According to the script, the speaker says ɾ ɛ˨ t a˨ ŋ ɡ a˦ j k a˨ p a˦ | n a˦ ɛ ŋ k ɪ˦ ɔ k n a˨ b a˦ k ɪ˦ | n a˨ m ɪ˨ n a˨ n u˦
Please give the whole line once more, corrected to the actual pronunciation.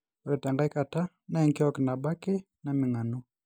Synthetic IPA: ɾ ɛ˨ t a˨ ŋ ɡ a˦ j k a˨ t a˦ | n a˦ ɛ ŋ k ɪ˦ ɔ k n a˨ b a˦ k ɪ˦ | n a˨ m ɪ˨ ŋ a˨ n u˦